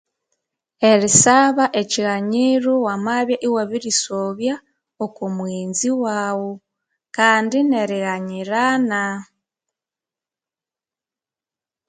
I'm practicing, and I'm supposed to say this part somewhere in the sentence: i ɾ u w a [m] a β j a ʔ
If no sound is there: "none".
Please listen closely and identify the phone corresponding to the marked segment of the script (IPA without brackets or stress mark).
m